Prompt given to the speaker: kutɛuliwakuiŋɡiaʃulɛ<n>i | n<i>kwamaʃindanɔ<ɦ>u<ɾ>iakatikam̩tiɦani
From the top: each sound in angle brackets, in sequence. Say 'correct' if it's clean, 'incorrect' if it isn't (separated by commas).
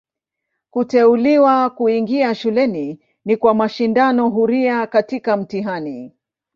correct, correct, correct, correct